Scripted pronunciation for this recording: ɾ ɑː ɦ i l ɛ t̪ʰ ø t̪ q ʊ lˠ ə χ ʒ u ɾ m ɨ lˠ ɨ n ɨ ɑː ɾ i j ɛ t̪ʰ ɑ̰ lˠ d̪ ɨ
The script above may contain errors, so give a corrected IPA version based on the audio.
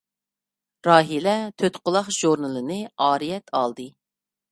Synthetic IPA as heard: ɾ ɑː ɦ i l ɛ t̪ʰ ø t̪ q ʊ lˠ ɑ χ ʒ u ɾ n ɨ lˠ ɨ n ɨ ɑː ɾ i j ɛ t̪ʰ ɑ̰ lˠ d̪ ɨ